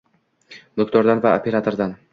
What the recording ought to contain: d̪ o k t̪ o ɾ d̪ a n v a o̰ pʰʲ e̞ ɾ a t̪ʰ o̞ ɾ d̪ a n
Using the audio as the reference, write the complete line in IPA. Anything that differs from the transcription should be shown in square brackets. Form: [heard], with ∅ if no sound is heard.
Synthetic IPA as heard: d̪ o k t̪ [ɒ] ɾ d̪ a n v a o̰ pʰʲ e̞ ɾ a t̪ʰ o̞ ɾ d̪ a n